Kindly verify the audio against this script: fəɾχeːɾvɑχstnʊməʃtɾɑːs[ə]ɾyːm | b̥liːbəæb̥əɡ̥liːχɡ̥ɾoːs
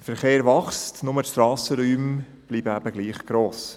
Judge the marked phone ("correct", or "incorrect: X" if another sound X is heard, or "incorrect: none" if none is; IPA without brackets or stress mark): correct